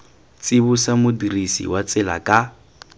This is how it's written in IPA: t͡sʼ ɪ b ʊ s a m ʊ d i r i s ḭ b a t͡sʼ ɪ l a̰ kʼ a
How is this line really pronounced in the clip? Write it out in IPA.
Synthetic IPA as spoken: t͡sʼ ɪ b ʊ s a m ʊ d i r i s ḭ w a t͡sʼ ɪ l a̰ kʼ a